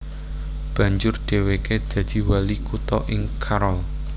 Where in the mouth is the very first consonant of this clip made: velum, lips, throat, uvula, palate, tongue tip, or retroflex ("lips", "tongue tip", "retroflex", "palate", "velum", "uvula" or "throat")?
lips